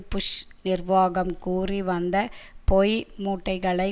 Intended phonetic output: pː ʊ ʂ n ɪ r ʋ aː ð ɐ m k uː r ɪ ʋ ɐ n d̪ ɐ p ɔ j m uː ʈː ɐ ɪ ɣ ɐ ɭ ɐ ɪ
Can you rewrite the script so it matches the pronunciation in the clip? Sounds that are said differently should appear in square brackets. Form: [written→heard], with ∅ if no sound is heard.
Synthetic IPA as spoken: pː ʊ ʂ n ɪ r ʋ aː [ð→ɣ] ɐ m k uː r [ɪ→i] ʋ ɐ n d̪ ɐ p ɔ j m uː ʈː ɐ ɪ ɣ ɐ ɭ ɐ ɪ